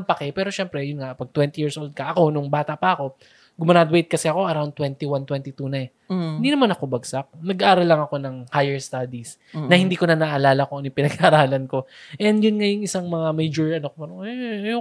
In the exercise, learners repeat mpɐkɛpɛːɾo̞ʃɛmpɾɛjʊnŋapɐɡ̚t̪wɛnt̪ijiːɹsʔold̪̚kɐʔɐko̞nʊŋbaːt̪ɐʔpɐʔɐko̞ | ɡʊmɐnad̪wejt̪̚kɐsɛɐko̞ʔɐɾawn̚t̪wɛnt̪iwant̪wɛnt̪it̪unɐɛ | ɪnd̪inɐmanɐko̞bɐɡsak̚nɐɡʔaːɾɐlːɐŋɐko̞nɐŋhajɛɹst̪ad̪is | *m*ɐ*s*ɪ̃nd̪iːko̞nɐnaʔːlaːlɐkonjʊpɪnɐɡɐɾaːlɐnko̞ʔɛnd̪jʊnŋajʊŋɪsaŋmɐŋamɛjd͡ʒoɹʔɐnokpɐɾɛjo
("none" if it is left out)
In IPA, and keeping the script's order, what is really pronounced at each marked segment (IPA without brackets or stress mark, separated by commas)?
n, h